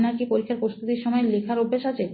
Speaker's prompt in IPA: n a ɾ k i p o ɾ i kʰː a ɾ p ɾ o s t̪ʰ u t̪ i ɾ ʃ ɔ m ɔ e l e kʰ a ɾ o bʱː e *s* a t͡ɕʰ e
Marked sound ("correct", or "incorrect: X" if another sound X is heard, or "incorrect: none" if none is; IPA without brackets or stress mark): incorrect: ʃ